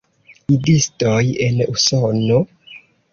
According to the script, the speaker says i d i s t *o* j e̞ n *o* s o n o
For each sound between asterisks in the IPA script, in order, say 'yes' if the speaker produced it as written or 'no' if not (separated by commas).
yes, no